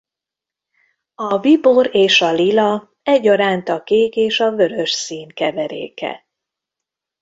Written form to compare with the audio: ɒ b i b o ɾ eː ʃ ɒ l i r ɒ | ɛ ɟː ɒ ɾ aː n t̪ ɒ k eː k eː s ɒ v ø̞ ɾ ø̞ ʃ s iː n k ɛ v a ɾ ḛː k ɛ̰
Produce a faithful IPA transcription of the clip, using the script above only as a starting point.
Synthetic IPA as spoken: ɒ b i b o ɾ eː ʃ ɒ l i l ɒ | ɛ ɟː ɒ ɾ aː n t̪ ɒ k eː k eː ʃ ɒ v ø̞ ɾ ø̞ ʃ s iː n k ɛ v ɛ ɾ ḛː k ɛ̰

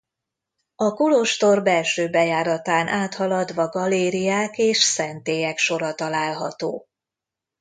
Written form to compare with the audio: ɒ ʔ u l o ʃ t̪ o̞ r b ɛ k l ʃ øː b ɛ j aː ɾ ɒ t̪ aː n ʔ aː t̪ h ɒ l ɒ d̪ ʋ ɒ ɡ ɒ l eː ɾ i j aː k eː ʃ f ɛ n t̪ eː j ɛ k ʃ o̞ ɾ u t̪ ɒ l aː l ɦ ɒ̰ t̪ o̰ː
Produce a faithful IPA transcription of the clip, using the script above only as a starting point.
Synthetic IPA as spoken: ɒ k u l o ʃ t̪ o̞ r b ɛ l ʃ øː b ɛ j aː ɾ ɒ t̪ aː n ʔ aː t̪ h ɒ l ɒ d̪ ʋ ɒ ɡ ɒ l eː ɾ i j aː k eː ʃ s ɛ n t̪ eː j ɛ k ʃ o̞ ɾ ɒ t̪ ɒ l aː l ɦ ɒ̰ t̪ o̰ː

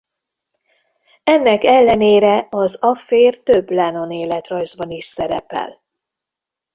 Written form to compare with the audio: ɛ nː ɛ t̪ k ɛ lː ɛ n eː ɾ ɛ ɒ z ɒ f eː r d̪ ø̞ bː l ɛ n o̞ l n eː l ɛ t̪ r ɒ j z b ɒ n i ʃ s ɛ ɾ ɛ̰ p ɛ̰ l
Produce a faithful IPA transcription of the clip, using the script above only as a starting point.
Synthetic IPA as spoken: ɛ nː ɛ k ɛ lː ɛ n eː ɾ ɛ ɒ z ɒ f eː r t̪ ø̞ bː l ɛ n o̞ n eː l ɛ t̪ r ɒ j z b ɒ n i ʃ s ɛ ɾ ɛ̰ p ɛ̰ l

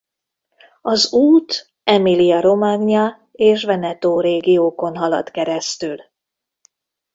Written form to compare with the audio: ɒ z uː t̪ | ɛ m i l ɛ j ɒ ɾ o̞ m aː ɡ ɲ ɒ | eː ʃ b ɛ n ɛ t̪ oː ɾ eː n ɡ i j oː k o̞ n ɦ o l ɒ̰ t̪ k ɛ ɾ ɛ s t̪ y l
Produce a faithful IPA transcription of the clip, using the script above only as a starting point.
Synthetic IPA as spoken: ɒ z uː t̪ | ɛ m i l i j ɒ ɾ o̞ m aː ɡ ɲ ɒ | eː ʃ v ɛ n ɛ t̪ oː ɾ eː ɡ i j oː k o̞ n ɦ ɒ l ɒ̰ t̪ k ɛ ɾ ɛ s t̪ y l

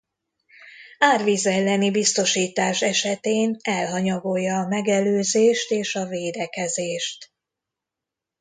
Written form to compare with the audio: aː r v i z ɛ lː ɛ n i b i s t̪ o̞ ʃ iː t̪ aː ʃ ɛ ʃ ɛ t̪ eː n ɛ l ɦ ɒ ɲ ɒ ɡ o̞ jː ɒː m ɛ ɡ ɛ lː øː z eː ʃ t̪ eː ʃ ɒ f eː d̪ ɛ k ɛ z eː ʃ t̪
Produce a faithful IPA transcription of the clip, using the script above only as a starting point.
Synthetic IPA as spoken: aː r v i z ɛ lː ɛ n i b i s t̪ o̞ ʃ iː t̪ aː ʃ ɛ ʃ ɛ t̪ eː n ɛ l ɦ ɒ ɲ ɒ ɡ o̞ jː ɒː m ɛ ɡ ɛ l øː z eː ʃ t̪ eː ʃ ɒ v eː d̪ ɛ k ɛ z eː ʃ t̪

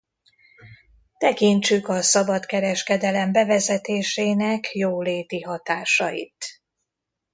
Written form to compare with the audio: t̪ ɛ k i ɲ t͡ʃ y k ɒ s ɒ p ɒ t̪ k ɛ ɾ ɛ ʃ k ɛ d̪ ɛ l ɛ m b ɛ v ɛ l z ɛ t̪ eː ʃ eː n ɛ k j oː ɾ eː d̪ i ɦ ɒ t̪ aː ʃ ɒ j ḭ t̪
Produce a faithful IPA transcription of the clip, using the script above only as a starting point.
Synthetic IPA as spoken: t̪ ɛ k i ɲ t͡ʃ y k ɒ s ɒ b ɒ t̪ k ɛ ɾ ɛ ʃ k ɛ d̪ ɛ l ɛ m b ɛ v ɛ z ɛ t̪ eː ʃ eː n ɛ k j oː l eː t̪ i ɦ ɒ t̪ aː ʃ ɒ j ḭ t̪

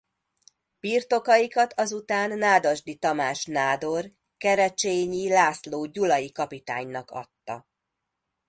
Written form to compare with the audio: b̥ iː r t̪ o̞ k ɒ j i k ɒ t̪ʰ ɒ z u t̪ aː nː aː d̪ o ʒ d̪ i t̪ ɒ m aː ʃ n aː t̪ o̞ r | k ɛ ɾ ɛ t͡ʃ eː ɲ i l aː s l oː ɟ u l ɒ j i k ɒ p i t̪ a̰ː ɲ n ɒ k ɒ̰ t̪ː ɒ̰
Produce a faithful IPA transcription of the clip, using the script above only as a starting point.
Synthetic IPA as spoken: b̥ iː r t̪ o̞ k ɒ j i k ɒ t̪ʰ ɒ z u t̪ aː nː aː d̪ o ʒ d̪ i t̪ ɒ m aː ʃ n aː d̪ o̞ r | k ɛ ɾ ɛ t͡ʃ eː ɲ i l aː s l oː ɟ u l ɒ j i k ɒ p i t̪ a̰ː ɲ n ɒ k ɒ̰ t̪ː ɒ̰

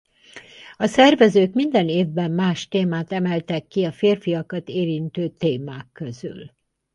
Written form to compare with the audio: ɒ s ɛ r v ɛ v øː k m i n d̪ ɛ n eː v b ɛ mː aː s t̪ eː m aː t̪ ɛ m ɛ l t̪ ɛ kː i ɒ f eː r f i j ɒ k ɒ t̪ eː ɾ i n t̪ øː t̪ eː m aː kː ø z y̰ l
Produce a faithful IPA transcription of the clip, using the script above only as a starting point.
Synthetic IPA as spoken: ɒ s ɛ r v ɛ z øː k m i n d̪ ɛ n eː v b ɛ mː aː ʃ t̪ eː m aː t̪ ɛ m ɛ l t̪ ɛ kː i ɒ f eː r f i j ɒ k ɒ t̪ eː ɾ i n t̪ øː t̪ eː m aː kː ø z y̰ l

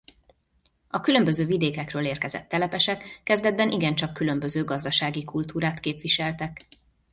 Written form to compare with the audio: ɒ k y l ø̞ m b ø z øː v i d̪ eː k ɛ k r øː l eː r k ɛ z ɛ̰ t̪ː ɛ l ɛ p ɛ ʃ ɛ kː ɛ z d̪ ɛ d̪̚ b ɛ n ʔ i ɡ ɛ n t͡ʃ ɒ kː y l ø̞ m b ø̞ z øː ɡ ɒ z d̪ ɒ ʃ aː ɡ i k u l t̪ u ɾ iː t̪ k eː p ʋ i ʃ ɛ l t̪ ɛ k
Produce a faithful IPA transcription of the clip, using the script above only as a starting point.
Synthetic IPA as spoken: ɒ k y l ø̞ m b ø z øː v i d̪ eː k ɛ k r øː l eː r k ɛ z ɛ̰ t̪ː ɛ l ɛ p ɛ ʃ ɛ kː ɛ z d̪ ɛ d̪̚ b ɛ n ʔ i ɡ ɛ n t͡ʃ ɒ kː y l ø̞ m b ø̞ z øː ɡ ɒ z d̪ ɒ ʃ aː ɡ i k u l t̪ uː ɾ aː t̪ k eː p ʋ i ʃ ɛ l t̪ ɛ k

